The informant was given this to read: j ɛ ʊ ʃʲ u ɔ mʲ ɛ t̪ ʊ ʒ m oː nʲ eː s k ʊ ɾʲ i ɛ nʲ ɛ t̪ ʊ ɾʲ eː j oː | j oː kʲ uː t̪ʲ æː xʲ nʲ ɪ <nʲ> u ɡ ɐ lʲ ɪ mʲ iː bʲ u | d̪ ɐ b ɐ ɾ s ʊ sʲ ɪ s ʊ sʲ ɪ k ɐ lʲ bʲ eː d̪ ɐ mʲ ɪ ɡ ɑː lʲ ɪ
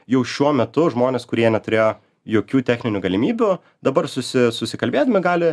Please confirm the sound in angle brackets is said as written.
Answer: yes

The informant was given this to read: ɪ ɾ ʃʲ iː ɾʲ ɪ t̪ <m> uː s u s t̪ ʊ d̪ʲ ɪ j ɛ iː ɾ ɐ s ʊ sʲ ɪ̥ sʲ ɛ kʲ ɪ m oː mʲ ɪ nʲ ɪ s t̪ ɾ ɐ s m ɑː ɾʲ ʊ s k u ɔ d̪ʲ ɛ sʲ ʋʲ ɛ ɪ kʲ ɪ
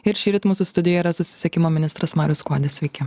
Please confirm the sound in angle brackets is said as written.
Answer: yes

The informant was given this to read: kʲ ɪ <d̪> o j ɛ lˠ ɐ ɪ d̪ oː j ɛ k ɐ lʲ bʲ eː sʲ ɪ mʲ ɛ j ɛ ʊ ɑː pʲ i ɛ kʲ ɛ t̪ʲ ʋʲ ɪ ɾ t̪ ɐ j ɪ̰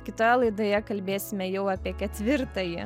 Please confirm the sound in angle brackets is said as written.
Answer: no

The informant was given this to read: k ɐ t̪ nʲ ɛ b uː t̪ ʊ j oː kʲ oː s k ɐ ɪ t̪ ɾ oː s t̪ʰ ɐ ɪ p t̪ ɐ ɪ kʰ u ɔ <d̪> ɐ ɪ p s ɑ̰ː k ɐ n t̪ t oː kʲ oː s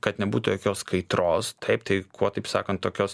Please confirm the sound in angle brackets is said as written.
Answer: no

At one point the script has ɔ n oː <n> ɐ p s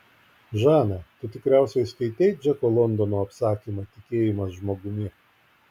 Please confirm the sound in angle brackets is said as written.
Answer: no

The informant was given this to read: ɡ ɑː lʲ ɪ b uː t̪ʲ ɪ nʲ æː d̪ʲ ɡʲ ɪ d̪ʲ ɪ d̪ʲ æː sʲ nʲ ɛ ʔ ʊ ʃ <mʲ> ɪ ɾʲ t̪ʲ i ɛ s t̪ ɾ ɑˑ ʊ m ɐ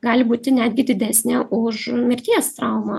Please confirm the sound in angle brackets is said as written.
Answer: yes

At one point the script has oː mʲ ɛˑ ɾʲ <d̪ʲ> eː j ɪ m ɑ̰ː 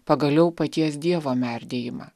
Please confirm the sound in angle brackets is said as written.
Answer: yes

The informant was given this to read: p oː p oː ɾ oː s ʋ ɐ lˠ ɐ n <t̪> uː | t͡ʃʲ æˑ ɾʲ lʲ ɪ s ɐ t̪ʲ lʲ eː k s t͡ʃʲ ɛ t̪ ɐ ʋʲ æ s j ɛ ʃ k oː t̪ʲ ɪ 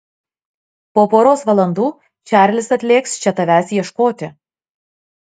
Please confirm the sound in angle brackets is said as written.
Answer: no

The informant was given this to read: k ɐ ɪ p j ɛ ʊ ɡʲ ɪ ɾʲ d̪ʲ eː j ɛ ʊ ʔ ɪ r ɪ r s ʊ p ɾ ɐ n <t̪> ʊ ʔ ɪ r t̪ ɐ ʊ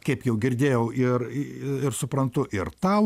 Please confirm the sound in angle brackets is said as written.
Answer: yes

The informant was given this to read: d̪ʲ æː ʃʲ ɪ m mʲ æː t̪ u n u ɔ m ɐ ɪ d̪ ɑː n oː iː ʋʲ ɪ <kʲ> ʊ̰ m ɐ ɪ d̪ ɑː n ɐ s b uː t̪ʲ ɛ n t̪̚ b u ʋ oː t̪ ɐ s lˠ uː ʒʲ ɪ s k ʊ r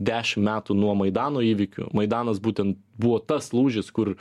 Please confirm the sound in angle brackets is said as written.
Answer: yes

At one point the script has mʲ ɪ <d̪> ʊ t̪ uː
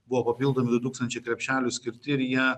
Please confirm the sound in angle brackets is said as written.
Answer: yes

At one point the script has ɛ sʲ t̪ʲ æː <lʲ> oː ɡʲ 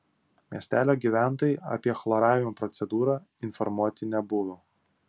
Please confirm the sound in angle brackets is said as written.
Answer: yes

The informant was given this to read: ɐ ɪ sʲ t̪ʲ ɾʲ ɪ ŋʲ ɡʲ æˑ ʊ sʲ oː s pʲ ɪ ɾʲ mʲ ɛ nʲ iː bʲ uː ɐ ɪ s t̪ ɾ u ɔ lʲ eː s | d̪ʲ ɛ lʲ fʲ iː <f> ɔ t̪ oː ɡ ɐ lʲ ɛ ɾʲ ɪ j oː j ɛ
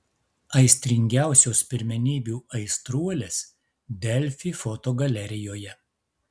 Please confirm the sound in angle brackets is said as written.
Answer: yes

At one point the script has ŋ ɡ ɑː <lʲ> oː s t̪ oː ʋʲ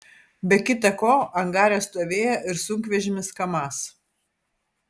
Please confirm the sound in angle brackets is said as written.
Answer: no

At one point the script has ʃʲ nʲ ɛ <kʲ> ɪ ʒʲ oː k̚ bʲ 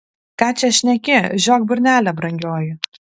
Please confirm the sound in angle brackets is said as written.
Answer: yes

